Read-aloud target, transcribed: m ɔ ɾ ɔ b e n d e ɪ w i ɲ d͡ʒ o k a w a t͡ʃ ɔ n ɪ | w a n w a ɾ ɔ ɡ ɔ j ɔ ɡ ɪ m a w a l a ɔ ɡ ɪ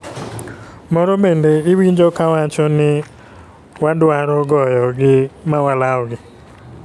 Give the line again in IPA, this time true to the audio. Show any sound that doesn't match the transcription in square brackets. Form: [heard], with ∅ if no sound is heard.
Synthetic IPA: m ɔ ɾ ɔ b e n d e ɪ w i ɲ d͡ʒ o k a w a t͡ʃ ɔ n ɪ | w a [d] w a ɾ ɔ ɡ ɔ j ɔ ɡ ɪ m a w a l a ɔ ɡ ɪ